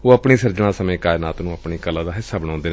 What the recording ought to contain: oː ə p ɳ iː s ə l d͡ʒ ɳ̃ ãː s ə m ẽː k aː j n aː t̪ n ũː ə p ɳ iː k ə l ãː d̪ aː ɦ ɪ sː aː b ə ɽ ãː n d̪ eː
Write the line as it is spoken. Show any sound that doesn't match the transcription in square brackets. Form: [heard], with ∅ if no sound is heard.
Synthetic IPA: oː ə p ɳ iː s ə [ɾ] d͡ʒ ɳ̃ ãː s ə m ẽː k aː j n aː t̪ n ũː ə p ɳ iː k ə l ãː d̪ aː ɦ ɪ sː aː b ə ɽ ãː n d̪ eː